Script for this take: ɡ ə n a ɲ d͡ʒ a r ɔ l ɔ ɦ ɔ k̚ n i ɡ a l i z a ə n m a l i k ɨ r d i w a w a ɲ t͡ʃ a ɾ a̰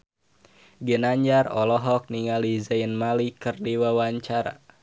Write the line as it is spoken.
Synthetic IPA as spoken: ɡ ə n a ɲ d͡ʒ a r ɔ l ɔ ɦ ɔ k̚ n i ŋ a l i z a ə n m a l i k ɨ r d i w a w a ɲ t͡ʃ a ɾ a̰